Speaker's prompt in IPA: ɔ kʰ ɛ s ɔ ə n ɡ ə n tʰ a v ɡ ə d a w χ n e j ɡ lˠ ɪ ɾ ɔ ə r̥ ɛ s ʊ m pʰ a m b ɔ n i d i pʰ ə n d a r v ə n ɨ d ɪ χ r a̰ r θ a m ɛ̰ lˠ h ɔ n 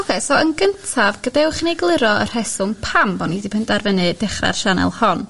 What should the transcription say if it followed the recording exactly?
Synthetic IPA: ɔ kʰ ɛ s ɔ ə n ɡ ə n tʰ a v ɡ ə d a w χ n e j ɡ lˠ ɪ ɾ ɔ ə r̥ ɛ s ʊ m pʰ a m b ɔ n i d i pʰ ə n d a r v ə n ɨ d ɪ χ r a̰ r ʃ a n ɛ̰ lˠ h ɔ n